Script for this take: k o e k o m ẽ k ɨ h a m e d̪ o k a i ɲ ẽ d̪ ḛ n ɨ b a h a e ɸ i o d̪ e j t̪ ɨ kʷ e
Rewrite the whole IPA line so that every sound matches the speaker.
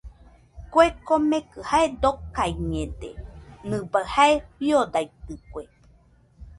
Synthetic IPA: k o e k o m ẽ k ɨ h a e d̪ o k a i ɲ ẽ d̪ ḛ n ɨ b a h a e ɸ i o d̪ a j t̪ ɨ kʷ e